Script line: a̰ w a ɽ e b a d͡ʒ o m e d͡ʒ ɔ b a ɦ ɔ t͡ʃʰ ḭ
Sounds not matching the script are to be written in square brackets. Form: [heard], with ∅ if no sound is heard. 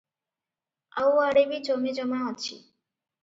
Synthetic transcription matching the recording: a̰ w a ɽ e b [i] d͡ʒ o m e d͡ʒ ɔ [m] a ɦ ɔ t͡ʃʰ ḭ